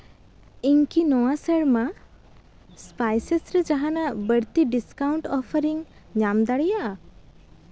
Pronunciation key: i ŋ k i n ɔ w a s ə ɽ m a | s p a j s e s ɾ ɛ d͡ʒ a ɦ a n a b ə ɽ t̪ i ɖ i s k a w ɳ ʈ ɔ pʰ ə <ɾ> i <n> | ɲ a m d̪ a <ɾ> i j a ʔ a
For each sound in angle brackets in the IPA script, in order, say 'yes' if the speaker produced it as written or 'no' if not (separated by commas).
yes, no, no